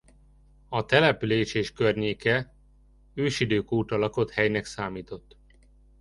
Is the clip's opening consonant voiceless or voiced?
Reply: voiceless